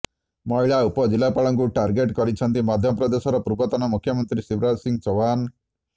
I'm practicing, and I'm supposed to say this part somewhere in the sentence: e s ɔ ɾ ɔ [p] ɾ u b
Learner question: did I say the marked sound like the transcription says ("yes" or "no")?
yes